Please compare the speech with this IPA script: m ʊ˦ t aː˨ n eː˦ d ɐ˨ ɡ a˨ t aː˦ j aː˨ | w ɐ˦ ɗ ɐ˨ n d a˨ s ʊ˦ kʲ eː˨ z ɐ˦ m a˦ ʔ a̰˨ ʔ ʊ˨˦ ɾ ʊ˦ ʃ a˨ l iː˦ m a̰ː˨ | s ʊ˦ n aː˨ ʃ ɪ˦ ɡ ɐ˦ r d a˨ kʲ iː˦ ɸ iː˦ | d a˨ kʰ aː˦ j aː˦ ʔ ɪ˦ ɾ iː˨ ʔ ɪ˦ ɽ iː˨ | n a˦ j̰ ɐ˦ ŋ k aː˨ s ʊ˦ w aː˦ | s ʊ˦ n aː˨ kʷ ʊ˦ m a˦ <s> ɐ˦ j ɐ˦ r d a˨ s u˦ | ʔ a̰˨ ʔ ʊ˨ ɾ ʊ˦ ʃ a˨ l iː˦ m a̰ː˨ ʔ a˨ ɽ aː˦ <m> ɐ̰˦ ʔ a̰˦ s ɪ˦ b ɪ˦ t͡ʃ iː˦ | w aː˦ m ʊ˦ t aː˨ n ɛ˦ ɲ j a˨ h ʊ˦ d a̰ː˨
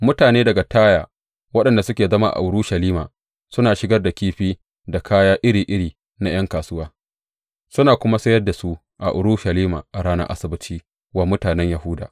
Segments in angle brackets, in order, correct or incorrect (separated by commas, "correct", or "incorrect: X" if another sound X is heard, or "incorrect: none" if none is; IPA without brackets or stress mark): correct, incorrect: n